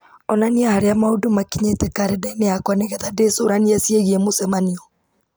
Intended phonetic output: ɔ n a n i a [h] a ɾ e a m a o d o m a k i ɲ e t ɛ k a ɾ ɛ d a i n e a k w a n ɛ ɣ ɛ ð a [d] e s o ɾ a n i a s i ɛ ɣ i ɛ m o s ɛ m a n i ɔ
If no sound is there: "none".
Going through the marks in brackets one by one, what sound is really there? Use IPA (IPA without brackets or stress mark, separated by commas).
h, d